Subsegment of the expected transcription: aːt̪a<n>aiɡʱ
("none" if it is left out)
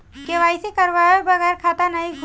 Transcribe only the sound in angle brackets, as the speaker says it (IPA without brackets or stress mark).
n